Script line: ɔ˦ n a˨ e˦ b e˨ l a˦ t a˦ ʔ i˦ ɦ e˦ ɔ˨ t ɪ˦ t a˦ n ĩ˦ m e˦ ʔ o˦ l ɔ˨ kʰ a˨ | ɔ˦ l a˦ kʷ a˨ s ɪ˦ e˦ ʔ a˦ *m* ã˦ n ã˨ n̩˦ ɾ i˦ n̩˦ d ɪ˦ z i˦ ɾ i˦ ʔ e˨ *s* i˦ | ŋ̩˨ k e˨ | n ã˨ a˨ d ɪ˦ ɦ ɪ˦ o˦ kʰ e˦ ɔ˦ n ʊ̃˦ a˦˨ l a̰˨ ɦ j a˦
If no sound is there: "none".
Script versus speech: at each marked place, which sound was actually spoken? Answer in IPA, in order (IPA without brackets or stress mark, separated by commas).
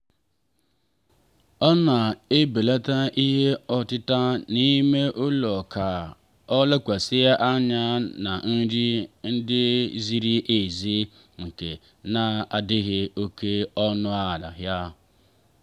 ɲ, z